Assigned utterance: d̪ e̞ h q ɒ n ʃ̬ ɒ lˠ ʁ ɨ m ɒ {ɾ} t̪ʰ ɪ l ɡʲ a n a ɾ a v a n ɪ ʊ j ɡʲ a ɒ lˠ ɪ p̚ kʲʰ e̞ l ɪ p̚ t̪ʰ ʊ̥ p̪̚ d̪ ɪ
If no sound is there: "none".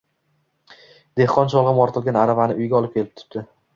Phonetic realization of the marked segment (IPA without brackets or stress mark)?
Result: ɾ